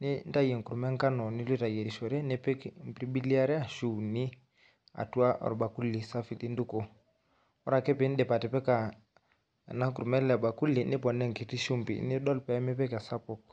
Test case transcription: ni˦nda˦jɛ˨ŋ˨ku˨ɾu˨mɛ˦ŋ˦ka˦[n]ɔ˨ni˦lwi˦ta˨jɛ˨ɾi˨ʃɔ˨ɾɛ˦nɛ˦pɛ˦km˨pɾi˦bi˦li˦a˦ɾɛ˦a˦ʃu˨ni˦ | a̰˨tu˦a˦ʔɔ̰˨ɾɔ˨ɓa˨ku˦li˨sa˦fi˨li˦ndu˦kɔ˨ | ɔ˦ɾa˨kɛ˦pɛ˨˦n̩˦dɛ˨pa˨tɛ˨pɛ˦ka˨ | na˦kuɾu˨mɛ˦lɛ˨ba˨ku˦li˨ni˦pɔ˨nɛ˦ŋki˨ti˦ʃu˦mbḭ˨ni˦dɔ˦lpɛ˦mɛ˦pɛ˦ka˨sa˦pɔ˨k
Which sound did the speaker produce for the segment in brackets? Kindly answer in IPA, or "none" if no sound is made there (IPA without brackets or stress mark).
n